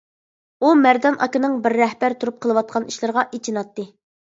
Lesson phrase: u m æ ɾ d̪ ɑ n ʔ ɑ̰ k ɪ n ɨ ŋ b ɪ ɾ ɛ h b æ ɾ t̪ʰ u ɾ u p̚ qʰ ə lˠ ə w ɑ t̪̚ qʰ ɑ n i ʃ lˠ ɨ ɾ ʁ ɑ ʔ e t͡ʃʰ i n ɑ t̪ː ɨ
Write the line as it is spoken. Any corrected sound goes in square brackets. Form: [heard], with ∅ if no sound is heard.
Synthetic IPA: u m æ ɾ d̪ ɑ n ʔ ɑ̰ k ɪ n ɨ ŋ b ɪ [ɾː] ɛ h b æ ɾ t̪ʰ u ɾ u p̚ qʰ ə lˠ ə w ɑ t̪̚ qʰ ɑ n i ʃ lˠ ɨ ɾ ʁ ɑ ʔ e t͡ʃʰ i n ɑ t̪ː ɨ